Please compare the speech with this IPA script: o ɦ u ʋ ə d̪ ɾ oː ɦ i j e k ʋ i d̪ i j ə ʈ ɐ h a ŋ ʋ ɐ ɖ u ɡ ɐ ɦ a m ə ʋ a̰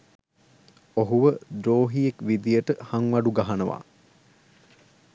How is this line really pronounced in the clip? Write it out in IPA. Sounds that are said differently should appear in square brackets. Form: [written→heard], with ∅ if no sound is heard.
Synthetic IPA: o ɦ u ʋ ə d̪ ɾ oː ɦ i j e k ʋ i d̪ i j ə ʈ [ɐ→ə] h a ŋ ʋ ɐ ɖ u ɡ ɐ ɦ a [m→n] ə ʋ a̰